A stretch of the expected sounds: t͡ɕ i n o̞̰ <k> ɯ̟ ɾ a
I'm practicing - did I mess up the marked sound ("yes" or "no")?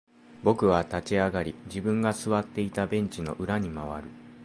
yes